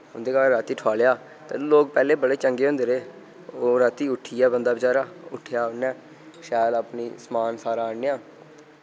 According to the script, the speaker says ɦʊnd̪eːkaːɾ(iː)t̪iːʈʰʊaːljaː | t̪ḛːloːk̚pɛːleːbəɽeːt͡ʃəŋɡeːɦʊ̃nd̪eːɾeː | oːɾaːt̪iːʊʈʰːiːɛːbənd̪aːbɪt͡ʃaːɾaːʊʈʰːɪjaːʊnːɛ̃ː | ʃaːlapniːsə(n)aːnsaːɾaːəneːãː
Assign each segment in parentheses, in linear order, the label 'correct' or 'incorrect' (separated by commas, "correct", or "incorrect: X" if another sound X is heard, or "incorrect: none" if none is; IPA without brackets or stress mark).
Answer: incorrect: aː, incorrect: m